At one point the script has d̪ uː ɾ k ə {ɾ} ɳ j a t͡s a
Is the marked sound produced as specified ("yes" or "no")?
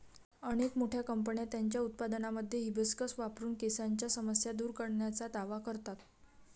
no